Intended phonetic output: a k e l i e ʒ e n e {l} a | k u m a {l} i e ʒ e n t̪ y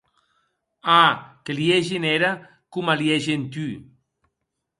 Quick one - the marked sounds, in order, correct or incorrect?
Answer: incorrect: ɾ, correct

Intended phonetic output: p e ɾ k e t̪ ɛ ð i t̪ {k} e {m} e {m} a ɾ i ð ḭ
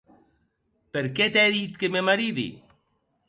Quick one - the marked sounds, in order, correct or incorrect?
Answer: correct, correct, correct

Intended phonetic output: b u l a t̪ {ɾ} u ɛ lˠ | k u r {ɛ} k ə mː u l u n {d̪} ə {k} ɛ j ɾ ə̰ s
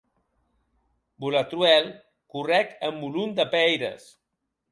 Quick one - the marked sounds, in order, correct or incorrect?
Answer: correct, correct, correct, incorrect: p

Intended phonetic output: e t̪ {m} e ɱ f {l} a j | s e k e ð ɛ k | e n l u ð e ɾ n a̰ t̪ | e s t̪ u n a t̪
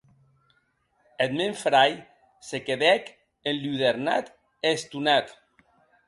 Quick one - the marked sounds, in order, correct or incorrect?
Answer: correct, incorrect: ɾ

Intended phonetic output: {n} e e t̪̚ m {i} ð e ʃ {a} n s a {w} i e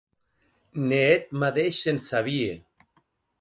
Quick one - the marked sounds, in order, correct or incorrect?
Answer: correct, incorrect: a, incorrect: e, incorrect: β

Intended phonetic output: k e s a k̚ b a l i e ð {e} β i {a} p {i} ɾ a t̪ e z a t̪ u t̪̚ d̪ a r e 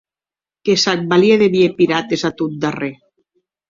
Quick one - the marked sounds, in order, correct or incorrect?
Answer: correct, incorrect: e, correct

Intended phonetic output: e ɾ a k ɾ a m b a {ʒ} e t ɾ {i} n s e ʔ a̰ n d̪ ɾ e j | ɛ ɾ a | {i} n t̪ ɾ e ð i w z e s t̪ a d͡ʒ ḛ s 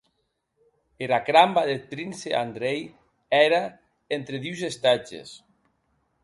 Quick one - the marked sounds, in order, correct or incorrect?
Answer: incorrect: ð, correct, incorrect: e

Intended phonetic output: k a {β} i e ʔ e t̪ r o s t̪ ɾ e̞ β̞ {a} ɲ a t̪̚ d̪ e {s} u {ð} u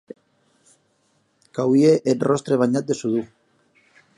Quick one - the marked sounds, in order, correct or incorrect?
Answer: incorrect: w, correct, correct, correct

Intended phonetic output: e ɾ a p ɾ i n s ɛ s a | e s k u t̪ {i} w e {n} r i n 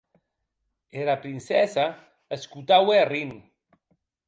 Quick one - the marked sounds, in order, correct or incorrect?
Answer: incorrect: a, incorrect: none

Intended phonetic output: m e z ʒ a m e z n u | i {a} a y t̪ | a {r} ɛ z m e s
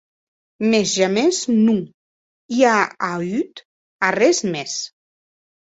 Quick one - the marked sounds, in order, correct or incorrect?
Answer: correct, correct

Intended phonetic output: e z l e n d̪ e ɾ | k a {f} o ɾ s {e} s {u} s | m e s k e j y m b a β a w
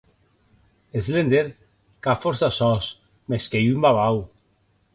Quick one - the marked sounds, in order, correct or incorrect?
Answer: correct, incorrect: a, incorrect: ɔ

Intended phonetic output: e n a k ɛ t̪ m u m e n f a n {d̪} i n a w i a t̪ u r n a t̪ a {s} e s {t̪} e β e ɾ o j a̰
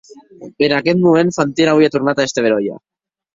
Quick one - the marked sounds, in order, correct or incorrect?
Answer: incorrect: t̪, incorrect: none, correct

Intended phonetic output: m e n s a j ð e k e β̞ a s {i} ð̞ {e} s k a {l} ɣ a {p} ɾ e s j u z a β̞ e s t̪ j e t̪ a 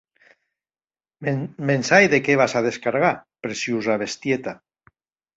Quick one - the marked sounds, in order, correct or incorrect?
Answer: incorrect: a, correct, incorrect: ɾ, correct

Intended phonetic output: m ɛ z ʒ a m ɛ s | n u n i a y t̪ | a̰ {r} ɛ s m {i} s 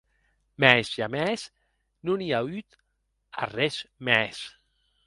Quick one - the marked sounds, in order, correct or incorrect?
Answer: correct, incorrect: ɛ

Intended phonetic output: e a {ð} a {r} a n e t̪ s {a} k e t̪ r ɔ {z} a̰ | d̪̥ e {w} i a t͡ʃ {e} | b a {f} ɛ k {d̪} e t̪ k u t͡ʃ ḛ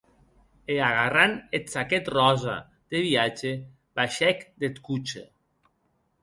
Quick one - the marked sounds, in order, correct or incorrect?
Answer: incorrect: ɣ, correct, correct, correct, incorrect: β, correct, incorrect: ʃ, correct

